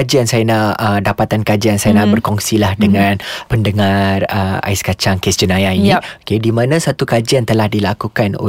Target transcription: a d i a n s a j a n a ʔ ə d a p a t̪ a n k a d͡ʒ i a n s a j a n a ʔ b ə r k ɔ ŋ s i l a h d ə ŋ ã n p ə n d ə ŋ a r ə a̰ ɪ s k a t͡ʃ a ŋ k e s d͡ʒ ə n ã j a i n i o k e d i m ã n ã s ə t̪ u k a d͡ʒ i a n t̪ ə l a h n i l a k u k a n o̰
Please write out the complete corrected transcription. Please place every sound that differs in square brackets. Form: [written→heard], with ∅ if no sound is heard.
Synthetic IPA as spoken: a [d→d͡ʒ] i a n s a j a n a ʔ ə d a p a t̪ a n k a d͡ʒ i a n s a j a n a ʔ b ə r k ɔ ŋ s i l a h d ə ŋ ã n p ə n d ə ŋ a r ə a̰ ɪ s k a t͡ʃ a ŋ k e s d͡ʒ ə n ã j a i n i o k e d i m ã n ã s [ə→a] t̪ u k a d͡ʒ i a n t̪ ə l a h [n→d] i l a k u k a n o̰